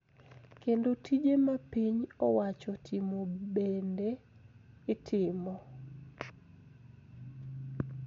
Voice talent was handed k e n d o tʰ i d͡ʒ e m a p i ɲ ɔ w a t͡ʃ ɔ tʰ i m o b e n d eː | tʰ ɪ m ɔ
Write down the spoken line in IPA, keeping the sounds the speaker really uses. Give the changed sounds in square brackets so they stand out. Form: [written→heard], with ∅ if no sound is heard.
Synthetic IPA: k e n d o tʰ i d͡ʒ e m a p i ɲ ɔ w a t͡ʃ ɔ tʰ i m o b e n d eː | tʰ ɪ m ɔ